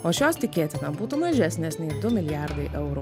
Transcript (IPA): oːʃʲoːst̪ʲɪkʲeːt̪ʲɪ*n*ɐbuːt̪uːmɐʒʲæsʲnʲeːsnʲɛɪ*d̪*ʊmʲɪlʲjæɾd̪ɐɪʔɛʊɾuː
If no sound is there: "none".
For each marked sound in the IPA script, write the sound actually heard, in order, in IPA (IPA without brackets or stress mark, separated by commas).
n, d̪